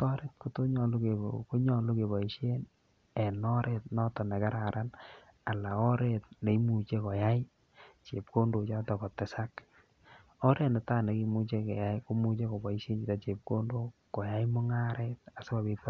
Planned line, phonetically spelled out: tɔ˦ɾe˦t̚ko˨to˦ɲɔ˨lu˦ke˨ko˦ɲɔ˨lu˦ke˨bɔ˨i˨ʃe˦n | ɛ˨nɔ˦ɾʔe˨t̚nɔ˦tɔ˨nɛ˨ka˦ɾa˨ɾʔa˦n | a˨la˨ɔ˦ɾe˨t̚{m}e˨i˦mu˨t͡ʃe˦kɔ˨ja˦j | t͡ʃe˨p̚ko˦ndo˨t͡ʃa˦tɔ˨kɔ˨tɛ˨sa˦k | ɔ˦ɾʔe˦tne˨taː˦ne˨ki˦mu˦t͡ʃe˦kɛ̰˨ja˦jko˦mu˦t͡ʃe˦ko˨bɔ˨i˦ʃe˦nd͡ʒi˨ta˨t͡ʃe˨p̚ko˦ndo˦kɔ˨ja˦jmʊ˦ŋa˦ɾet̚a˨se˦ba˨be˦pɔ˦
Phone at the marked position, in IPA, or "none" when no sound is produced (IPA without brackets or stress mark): n